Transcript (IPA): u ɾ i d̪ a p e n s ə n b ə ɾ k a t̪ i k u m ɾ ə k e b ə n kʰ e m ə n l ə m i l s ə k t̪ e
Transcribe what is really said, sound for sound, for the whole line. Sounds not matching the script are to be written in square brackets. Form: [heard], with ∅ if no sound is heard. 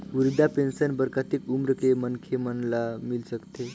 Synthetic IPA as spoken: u ɾ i d̪ a p e n s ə n b ə ɾ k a t̪ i k u m ɾ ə k e [m] ə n kʰ e m ə n l [a] m i l s ə k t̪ e